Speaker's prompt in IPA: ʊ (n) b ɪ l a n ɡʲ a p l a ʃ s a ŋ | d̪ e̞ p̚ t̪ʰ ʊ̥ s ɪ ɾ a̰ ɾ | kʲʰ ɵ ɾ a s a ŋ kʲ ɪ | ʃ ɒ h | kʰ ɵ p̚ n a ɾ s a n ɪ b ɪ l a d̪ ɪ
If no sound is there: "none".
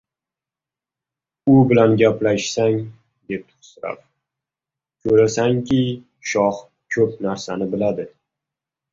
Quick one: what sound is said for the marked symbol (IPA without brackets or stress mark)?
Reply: none